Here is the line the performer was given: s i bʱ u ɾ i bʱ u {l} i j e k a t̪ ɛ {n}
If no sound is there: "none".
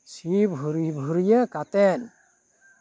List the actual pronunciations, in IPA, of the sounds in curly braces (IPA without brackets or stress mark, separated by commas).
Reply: ɾ, n